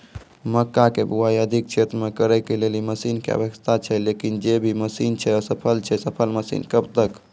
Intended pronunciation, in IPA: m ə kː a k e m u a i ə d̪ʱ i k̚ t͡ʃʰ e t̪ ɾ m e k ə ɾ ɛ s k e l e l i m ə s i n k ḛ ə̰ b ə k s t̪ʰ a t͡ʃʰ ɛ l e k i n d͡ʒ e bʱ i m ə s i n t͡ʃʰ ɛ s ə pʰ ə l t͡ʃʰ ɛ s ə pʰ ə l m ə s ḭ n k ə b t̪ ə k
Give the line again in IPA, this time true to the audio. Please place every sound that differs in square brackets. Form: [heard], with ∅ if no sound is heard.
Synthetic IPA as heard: m ə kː a k e [b] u a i ə d̪ʱ i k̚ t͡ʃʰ e t̪ ɾ m e k ə ɾ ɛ [∅] k e l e l i m ə s i n k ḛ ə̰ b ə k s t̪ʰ a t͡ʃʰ ɛ l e k i n d͡ʒ e bʱ i m ə s i n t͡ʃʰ ɛ s ə pʰ ə l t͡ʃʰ ɛ s ə pʰ ə l m ə s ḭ n k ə b t̪ ə k